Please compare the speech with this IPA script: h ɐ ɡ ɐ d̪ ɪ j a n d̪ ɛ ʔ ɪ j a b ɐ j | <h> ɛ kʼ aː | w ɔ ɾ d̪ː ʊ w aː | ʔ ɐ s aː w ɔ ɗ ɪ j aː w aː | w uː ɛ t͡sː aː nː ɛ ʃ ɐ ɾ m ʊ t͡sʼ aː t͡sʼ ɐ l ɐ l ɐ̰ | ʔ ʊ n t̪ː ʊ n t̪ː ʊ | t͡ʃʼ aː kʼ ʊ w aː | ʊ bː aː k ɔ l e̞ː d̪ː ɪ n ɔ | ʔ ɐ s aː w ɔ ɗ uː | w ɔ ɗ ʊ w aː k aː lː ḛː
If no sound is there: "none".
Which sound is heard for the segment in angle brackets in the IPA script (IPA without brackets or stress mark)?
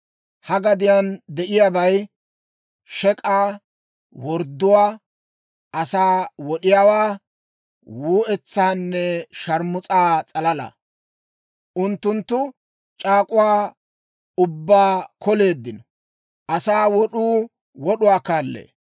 ʃ